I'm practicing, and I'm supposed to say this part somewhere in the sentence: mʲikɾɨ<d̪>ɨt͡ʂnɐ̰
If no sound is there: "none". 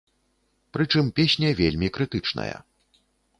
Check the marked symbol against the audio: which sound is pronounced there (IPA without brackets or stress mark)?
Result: t̪